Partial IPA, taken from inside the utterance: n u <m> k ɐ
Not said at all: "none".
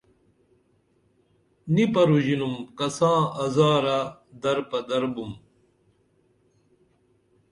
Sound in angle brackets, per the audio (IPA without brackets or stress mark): m